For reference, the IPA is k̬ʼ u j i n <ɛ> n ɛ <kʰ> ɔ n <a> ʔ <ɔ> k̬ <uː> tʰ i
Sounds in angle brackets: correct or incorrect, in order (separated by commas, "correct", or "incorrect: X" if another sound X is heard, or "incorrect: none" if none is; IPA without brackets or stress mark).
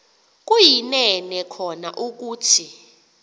correct, correct, correct, incorrect: u, correct